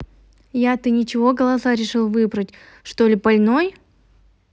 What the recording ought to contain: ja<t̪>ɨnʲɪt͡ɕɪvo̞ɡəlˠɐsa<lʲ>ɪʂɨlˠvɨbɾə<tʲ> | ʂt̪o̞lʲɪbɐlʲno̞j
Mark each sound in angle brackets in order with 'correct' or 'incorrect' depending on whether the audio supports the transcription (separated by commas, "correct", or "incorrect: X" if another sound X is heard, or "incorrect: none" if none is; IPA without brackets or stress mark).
correct, incorrect: ɾʲ, correct